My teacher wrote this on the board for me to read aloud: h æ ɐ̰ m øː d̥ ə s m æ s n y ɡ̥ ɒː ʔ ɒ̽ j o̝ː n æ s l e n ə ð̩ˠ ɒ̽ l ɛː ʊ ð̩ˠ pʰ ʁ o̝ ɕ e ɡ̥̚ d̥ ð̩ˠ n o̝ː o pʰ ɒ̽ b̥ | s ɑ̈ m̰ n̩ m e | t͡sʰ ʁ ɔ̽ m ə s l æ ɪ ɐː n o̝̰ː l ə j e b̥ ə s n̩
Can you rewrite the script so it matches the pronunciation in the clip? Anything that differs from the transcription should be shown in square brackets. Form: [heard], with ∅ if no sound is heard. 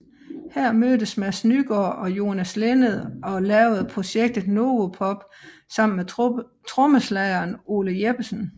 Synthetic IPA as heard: h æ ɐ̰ m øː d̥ ə s m æ s n y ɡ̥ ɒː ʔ ɒ̽ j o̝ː n æ s l e n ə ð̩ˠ ɒ̽ l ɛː ʊ ð̩ˠ pʰ ʁ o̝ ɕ e ɡ̥̚ d̥ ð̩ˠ n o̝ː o pʰ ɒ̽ b̥ | s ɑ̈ m̰ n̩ m e | t͡sʰ ʁ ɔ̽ m ə s l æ ɪ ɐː n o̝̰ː l ə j e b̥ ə s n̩